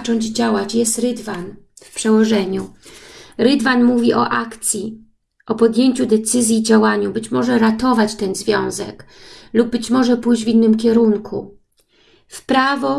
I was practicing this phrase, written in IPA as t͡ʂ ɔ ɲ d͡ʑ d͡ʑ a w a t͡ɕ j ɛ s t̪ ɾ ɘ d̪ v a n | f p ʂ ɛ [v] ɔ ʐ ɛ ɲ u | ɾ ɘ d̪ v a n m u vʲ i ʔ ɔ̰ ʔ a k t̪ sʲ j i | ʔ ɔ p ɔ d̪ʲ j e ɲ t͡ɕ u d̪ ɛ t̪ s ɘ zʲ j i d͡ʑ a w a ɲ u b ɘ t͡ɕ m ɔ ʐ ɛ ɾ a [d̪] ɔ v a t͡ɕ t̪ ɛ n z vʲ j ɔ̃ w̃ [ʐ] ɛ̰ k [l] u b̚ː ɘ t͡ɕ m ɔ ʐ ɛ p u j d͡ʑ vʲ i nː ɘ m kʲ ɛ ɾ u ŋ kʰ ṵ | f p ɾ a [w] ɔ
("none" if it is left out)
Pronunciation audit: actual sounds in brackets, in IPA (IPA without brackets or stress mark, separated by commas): w, t̪, z, l, v